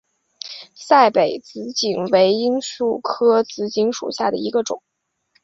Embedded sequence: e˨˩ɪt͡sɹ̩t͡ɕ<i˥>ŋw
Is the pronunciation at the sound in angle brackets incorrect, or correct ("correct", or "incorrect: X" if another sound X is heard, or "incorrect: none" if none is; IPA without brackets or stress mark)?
incorrect: i˨˩